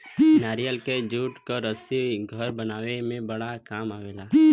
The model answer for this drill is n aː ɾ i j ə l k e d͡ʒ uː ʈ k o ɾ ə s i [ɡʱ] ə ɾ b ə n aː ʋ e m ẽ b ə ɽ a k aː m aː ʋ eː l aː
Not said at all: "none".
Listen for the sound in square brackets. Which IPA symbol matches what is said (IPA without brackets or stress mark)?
ɡʱ